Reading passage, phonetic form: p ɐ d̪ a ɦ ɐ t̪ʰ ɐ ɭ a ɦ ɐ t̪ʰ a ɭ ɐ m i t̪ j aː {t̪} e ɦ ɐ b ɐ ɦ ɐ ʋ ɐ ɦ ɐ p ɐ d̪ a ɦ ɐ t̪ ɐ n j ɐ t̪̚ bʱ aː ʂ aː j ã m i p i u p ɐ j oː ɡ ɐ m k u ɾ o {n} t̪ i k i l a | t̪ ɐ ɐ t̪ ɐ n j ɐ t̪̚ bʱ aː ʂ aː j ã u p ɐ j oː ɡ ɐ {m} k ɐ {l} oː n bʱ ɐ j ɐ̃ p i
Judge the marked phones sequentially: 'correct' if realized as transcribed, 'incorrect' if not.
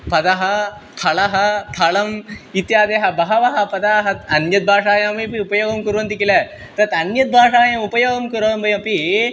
incorrect, correct, correct, incorrect

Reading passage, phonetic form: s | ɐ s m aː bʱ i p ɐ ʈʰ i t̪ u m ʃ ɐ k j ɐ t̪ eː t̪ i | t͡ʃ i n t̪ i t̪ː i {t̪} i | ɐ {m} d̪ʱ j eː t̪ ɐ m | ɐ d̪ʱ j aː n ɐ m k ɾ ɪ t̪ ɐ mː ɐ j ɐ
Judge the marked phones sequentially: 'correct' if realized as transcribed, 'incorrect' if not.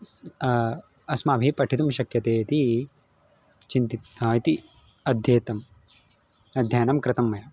correct, incorrect

